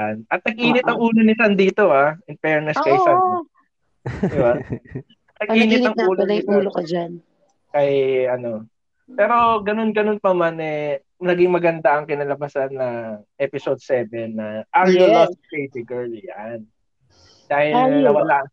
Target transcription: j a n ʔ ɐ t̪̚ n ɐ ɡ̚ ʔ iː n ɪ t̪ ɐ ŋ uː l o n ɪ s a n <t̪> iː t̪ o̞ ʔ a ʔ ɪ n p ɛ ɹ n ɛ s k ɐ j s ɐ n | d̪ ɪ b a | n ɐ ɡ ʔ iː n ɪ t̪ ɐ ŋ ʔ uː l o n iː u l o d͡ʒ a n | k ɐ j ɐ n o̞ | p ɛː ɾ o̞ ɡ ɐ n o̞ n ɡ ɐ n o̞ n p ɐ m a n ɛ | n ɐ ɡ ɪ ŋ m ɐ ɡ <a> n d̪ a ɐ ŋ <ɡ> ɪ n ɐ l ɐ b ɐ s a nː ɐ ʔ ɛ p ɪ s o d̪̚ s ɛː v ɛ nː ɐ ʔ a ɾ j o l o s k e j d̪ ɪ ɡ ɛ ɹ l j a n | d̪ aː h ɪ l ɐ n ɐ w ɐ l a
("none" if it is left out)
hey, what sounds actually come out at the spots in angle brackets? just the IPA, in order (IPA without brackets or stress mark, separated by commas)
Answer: d̪, ɐ, k